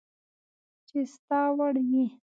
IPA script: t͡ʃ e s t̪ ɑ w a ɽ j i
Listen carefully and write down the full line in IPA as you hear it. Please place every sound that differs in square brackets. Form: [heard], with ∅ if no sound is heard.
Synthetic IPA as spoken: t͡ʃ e s t̪ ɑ w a ɽ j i